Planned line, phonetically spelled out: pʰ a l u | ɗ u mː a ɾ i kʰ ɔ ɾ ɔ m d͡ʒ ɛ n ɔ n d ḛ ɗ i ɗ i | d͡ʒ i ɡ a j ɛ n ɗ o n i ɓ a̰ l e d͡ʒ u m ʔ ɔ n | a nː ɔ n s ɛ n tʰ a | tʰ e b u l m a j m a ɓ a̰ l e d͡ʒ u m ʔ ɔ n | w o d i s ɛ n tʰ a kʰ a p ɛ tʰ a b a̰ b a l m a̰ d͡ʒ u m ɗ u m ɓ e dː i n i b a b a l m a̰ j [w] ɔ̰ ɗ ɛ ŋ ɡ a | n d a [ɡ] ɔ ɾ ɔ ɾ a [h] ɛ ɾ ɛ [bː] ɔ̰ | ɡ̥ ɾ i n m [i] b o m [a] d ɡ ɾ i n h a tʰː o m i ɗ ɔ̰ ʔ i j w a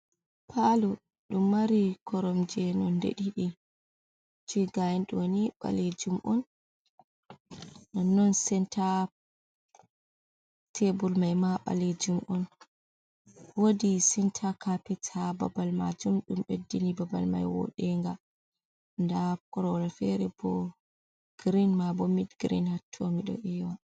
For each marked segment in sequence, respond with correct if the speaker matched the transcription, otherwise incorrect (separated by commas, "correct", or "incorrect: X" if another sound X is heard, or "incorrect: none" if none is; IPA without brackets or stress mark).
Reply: correct, incorrect: k, incorrect: f, incorrect: b, incorrect: a, incorrect: i